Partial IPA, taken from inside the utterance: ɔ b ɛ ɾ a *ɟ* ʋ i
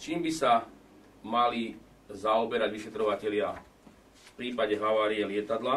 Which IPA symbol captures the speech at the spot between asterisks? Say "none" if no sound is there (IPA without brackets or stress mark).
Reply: ɟ